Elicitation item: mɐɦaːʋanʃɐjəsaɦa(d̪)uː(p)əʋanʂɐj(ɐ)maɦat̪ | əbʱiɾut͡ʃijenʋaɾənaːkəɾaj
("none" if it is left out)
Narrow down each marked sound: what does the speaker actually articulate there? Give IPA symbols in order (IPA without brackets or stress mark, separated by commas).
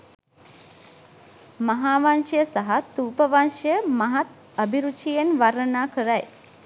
t̪, p, ə